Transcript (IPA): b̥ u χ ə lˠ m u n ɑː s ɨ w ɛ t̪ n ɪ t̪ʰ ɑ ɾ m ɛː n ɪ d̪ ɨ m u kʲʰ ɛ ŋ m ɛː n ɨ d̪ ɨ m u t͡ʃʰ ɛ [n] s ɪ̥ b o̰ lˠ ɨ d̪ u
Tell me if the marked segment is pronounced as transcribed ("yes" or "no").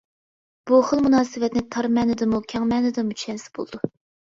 yes